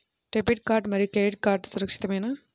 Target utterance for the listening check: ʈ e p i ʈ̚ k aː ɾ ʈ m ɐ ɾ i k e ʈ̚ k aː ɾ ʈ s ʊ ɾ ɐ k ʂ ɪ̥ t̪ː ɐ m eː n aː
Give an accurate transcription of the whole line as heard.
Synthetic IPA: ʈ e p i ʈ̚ k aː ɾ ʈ m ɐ ɾ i k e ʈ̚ k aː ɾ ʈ s ʊ ɾ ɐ k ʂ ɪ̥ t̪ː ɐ m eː n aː